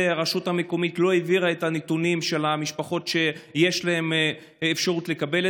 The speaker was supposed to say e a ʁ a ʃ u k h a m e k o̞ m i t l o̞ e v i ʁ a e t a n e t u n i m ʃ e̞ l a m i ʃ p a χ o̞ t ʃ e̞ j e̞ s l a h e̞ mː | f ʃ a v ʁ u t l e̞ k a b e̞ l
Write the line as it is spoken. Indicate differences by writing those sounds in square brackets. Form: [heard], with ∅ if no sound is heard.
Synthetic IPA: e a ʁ a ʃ u [t] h a m e k o̞ m i t l o̞ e v i ʁ a e t a n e t u n i m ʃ e̞ l a m i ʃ p a χ o̞ t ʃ e̞ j e̞ [ʃ] l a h e̞ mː | f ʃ a [∅] ʁ u t l e̞ k a b e̞ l